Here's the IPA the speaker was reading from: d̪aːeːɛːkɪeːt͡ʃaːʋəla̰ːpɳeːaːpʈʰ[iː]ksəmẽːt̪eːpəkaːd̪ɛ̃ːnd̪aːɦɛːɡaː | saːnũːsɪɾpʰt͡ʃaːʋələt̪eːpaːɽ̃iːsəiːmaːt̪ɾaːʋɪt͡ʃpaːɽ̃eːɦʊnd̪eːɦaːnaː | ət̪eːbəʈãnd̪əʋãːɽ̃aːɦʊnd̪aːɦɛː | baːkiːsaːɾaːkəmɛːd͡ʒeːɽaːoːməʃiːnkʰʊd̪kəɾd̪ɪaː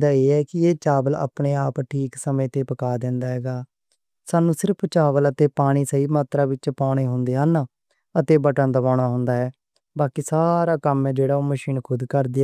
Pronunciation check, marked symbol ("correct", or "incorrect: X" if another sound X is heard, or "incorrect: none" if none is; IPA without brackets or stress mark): correct